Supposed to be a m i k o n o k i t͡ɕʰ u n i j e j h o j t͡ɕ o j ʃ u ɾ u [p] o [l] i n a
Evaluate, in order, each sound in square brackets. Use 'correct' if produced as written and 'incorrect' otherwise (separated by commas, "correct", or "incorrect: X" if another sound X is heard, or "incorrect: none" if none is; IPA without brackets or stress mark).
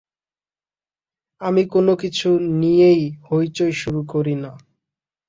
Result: incorrect: k, incorrect: ɾ